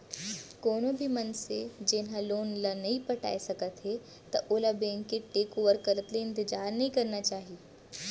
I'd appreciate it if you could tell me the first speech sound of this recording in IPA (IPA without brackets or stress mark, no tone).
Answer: k